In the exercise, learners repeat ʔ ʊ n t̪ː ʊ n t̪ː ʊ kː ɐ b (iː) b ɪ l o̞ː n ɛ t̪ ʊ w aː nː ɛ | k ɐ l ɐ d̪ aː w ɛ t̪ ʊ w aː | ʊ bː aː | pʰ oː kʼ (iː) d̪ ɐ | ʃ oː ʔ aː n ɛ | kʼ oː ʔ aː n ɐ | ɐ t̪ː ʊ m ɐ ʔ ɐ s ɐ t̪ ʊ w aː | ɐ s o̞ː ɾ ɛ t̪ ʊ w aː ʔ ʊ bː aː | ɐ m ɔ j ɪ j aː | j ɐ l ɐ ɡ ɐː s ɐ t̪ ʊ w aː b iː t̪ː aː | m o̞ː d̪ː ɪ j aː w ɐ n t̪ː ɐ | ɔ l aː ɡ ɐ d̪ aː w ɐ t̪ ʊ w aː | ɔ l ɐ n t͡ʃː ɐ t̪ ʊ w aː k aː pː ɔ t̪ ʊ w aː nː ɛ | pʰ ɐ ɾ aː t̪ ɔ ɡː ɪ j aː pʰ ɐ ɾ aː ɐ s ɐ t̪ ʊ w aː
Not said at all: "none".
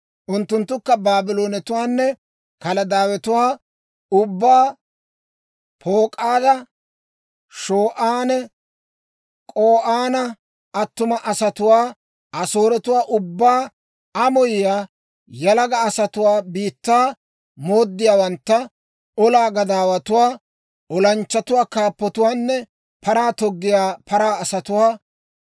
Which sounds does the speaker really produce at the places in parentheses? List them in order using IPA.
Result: aː, aː

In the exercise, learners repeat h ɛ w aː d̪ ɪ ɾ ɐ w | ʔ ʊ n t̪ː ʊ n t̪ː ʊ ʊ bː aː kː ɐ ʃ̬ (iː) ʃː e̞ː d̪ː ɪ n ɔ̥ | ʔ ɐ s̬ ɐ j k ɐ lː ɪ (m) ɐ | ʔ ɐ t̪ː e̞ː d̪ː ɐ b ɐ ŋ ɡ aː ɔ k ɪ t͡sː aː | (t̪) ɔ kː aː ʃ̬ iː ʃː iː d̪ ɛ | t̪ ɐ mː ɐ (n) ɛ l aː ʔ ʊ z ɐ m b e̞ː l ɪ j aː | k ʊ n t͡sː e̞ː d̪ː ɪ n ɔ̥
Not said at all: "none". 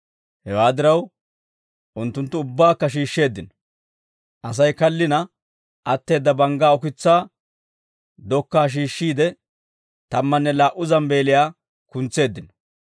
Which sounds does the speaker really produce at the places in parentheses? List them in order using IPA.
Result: iː, n, d̪, nː

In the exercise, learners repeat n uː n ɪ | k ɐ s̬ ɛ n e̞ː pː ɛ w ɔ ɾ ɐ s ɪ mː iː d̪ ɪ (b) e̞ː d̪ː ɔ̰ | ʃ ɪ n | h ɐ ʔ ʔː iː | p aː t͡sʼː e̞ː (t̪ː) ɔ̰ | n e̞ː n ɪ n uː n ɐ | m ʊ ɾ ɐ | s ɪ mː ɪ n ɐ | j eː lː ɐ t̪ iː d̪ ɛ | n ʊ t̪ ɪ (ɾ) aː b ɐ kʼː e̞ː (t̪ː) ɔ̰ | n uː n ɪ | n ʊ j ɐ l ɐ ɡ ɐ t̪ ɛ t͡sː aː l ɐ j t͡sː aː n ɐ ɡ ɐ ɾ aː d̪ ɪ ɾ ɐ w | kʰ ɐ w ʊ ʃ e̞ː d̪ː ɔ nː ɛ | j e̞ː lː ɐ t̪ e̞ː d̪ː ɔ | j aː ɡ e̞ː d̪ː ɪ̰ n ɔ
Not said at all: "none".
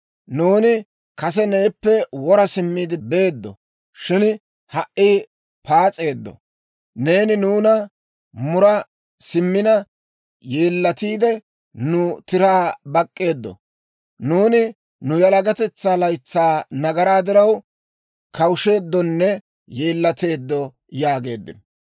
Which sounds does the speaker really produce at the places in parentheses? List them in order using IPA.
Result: b, d̪ː, ɾ, d̪ː

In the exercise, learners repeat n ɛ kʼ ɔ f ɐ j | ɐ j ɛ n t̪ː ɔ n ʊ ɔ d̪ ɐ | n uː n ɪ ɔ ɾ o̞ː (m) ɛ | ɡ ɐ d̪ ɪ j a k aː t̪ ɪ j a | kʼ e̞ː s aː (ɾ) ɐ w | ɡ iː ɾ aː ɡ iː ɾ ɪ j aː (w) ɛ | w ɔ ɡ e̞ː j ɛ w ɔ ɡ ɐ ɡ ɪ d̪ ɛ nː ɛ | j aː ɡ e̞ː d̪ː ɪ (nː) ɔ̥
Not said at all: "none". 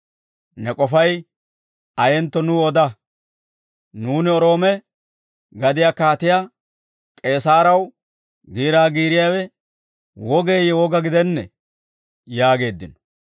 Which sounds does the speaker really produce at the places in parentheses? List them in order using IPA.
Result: m, ɾ, w, n

